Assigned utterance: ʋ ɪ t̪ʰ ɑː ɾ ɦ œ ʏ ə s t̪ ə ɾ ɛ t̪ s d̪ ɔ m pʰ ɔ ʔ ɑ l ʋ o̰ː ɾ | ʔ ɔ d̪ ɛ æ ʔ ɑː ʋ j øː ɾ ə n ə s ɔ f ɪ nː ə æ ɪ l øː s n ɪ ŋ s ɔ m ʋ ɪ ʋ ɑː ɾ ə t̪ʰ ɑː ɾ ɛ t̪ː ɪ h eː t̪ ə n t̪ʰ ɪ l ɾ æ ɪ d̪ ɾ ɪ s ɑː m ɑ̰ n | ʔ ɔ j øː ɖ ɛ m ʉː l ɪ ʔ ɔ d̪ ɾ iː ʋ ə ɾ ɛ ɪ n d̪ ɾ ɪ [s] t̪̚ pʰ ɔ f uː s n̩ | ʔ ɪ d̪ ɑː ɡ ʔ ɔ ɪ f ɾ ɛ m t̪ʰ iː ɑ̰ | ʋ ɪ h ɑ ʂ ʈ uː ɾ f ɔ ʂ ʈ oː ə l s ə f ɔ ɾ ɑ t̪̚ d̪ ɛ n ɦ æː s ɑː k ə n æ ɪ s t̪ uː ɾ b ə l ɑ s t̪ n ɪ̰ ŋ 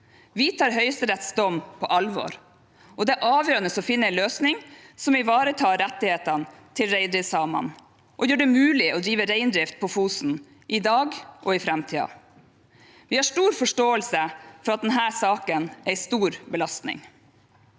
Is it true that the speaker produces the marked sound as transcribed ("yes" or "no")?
no